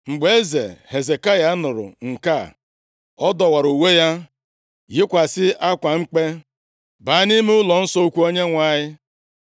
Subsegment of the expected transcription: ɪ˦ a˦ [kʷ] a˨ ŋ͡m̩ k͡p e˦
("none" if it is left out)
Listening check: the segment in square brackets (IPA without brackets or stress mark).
kʷ